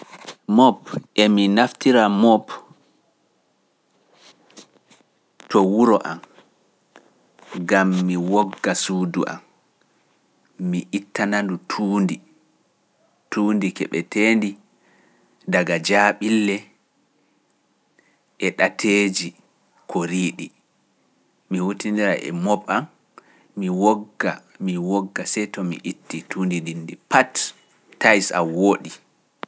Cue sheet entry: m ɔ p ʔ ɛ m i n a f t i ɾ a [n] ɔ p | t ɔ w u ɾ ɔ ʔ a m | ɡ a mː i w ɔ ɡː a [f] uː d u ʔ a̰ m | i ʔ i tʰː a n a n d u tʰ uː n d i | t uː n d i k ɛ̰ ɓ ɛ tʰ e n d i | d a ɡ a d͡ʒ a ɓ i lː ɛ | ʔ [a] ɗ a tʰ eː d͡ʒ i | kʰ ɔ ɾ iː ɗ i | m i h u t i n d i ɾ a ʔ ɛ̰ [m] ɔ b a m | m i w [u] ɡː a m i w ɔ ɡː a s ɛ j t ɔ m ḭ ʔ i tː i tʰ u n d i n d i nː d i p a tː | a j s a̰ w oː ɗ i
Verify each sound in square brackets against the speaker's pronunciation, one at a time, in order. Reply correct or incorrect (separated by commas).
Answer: incorrect, incorrect, incorrect, correct, incorrect